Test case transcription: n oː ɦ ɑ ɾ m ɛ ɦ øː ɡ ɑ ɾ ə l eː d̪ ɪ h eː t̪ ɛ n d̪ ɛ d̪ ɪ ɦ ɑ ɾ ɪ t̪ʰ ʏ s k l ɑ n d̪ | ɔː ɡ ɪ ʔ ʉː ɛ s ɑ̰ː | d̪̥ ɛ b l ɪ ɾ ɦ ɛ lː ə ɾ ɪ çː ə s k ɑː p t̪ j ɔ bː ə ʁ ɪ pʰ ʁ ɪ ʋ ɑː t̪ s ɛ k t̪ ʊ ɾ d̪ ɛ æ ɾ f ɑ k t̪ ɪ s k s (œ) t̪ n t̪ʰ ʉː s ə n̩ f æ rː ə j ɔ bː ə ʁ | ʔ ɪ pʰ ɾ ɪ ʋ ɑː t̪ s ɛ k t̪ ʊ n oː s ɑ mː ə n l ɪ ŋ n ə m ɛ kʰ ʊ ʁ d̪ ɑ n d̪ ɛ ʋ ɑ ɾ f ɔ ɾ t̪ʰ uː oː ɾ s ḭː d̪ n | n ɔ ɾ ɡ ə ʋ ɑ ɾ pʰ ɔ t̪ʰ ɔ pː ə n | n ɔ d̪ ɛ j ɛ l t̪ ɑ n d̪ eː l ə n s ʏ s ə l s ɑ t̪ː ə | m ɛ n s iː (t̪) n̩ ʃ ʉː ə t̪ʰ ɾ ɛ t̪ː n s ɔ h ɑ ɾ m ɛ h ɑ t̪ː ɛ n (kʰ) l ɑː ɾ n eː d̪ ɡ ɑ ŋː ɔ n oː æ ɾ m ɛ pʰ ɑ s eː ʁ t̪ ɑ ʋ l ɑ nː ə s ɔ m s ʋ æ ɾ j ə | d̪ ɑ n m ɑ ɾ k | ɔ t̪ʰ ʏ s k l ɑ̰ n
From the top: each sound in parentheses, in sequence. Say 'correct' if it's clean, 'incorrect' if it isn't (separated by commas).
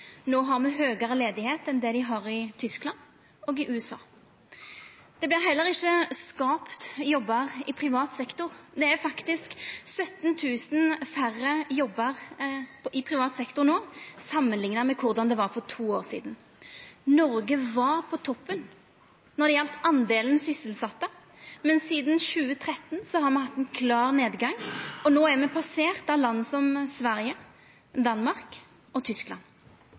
correct, incorrect, correct